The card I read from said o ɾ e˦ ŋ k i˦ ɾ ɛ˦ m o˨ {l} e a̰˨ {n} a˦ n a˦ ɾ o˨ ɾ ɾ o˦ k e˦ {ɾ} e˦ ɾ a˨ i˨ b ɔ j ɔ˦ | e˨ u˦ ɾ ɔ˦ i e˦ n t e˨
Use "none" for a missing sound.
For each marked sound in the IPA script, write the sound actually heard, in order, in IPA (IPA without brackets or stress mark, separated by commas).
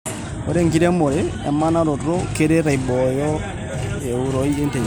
ɾ, m, ɾ